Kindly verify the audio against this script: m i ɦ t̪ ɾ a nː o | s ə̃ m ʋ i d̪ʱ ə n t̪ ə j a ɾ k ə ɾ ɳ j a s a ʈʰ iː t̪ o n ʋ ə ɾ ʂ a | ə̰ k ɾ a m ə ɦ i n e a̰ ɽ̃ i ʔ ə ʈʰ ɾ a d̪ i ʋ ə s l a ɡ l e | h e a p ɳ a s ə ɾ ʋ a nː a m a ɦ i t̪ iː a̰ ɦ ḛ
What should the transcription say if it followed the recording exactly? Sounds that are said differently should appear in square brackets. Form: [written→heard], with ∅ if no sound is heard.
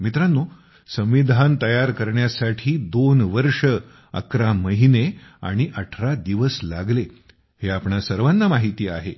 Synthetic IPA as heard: m i [ɦ→∅] t̪ ɾ a nː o | s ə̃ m ʋ i d̪ʱ [ə→a] n t̪ ə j a ɾ k ə ɾ ɳ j a s a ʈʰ iː [t̪→d̪] o n ʋ ə ɾ ʂ [a→ə] | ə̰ k ɾ a m ə ɦ i n e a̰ ɽ̃ i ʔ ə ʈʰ ɾ a d̪ i ʋ ə s l a ɡ l e | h e a p ɳ a s ə ɾ ʋ a nː a m a ɦ i t̪ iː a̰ ɦ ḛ

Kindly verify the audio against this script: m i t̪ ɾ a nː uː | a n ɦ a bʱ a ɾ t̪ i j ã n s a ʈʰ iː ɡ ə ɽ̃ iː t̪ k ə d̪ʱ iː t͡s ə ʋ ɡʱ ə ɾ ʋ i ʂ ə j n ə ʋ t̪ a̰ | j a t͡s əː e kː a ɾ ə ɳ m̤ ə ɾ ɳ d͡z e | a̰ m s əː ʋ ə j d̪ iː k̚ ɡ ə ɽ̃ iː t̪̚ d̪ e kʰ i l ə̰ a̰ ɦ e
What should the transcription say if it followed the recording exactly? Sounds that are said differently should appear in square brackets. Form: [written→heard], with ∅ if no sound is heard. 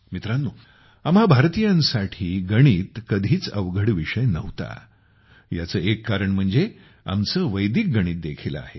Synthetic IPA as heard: m i t̪ ɾ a nː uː | a [n→m] ɦ a bʱ a ɾ t̪ i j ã n s a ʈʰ iː ɡ ə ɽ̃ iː t̪ k ə d̪ʱ iː t͡s ə ʋ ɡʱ ə [ɾ→ɽ] ʋ i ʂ ə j n ə ʋ t̪ a̰ | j a t͡s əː e kː a ɾ ə ɳ m̤ ə [ɾ→∅] ɳ d͡z e | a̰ m [s→t͡s] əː ʋ ə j d̪ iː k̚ ɡ ə ɽ̃ iː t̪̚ d̪ e kʰ i l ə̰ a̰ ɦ e

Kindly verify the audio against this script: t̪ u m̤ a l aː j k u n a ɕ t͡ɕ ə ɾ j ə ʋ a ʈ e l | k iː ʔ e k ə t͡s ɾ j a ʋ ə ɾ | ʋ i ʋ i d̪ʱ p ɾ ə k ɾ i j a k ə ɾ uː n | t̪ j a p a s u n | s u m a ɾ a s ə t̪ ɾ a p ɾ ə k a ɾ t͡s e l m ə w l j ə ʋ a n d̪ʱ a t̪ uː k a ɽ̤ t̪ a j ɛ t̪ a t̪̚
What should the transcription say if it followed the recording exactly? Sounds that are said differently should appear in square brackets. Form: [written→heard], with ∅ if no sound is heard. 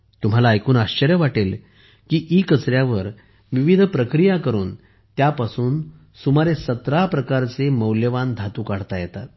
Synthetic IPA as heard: t̪ u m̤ a l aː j k [u→uː] n a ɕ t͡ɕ ə ɾ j ə ʋ a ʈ e l | k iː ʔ [e→i] k ə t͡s ɾ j a ʋ ə ɾ | ʋ i ʋ i d̪ʱ p ɾ ə k ɾ i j a k ə ɾ uː n | t̪ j a p a s [u→uː] n | s u m a ɾ [a→e] s ə t̪ ɾ a p ɾ ə k a ɾ t͡s e [l→∅] m ə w l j ə ʋ a n d̪ʱ a t̪ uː k a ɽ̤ t̪ a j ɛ t̪ a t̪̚

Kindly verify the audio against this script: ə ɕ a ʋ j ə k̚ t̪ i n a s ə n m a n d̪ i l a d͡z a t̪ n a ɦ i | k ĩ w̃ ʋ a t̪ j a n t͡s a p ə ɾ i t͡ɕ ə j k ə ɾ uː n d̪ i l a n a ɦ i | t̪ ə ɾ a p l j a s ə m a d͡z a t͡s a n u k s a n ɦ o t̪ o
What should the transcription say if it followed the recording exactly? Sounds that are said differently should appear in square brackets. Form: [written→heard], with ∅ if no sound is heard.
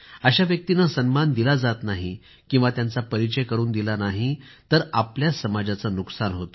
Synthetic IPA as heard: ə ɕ a ʋ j ə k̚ t̪ i n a s ə n m a n d̪ i l a d͡z a t̪ n a ɦ i | k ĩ w̃ ʋ a t̪ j a n t͡s a p ə ɾ i t͡ɕ ə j k ə ɾ uː n d̪ i l a n a ɦ i | t̪ ə ɾ a p l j a s ə m a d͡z a t͡s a n u k s a n ɦ o t̪ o

